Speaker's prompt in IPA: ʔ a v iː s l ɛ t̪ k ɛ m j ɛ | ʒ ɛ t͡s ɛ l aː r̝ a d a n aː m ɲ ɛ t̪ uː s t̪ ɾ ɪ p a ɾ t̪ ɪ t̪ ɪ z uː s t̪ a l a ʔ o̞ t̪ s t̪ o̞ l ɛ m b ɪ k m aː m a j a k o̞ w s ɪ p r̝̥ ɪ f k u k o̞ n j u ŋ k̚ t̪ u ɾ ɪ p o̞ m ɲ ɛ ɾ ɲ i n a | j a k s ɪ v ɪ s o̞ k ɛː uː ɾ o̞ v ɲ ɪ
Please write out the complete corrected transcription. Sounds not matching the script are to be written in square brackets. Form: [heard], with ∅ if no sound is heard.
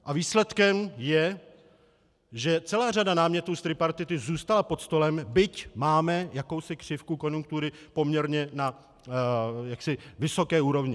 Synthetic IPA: ʔ a v iː s l ɛ t̪ k ɛ m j ɛ | ʒ ɛ t͡s ɛ l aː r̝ a d a n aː m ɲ ɛ t̪ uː s t̪ ɾ ɪ p a ɾ t̪ ɪ t̪ ɪ z uː s t̪ a l a [p] o̞ t̪ s t̪ o̞ l ɛ m b ɪ [c] m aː m [ɛ] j a k o̞ w s ɪ [k] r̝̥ ɪ f k u k o̞ n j u ŋ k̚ t̪ u ɾ ɪ p o̞ m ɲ ɛ ɾ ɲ [ɛ] n a | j a k s ɪ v ɪ s o̞ k ɛː uː ɾ o̞ v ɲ ɪ